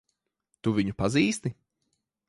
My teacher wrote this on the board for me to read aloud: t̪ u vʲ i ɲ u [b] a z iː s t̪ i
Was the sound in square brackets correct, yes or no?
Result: no